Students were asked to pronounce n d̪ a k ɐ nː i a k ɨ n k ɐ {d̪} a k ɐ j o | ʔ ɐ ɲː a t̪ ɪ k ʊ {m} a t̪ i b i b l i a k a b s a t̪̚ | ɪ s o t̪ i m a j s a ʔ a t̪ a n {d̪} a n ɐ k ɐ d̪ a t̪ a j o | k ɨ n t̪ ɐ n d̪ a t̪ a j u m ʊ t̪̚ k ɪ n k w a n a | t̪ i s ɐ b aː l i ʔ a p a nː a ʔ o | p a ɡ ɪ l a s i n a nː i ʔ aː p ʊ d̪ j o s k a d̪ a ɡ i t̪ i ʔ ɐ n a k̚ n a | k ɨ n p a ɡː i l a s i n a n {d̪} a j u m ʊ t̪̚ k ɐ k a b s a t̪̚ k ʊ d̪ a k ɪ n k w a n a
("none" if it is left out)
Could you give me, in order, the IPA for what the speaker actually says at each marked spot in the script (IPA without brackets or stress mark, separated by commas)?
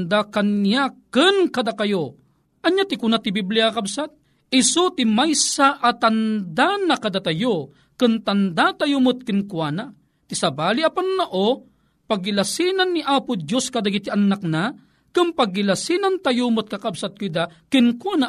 d̪, n, d̪, t̪